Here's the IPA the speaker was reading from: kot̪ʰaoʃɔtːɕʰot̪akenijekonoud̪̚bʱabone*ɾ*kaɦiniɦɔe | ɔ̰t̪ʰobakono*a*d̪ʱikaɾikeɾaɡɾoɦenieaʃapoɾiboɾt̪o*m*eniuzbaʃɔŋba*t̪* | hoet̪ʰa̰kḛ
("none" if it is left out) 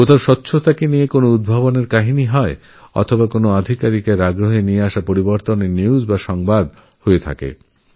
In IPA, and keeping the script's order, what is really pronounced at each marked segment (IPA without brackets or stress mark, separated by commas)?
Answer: ɾ, a, n, d̪